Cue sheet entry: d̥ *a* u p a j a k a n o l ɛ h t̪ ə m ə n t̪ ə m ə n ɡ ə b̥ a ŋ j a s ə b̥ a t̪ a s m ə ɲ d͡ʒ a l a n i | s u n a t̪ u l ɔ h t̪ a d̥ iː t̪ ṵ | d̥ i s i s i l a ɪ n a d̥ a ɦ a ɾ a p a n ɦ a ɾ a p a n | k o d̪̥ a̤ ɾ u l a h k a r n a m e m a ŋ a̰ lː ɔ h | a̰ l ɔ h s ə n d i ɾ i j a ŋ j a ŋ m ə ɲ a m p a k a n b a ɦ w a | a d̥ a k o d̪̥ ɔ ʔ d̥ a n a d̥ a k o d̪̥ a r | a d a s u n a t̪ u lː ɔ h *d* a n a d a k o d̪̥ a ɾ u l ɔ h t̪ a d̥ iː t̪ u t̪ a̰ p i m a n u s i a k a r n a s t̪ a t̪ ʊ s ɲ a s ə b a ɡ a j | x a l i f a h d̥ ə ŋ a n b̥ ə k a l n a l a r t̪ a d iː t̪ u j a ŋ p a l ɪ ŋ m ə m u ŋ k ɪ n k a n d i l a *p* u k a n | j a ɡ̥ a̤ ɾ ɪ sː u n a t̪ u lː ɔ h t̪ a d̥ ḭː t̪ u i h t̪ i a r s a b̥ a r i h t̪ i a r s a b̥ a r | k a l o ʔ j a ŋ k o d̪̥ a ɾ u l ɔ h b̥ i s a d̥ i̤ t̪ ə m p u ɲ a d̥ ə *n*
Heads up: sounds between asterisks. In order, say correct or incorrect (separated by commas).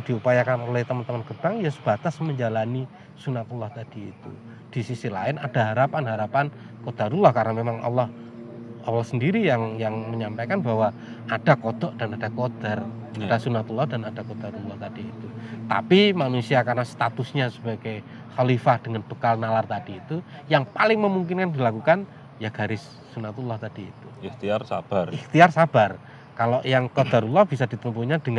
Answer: incorrect, correct, incorrect, incorrect